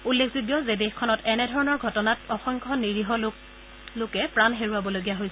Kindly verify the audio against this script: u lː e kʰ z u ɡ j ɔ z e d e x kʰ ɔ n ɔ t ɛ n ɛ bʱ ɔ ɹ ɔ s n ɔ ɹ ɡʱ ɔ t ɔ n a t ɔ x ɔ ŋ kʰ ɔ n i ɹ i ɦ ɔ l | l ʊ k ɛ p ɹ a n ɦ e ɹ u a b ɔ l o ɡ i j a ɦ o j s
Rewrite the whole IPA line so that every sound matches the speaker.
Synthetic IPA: u lː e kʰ z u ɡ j ɔ z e d e x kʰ ɔ n ɔ t ɛ n ɛ dʱ ɔ ɹ ɔ n ɔ ɹ ɡʱ ɔ t ɔ n a t ɔ x ɔ ŋ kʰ ɔ n i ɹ i ɦ ɔ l | l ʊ k ɛ p ɹ a n ɦ e ɹ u a b ɔ l o ɡ i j a ɦ o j s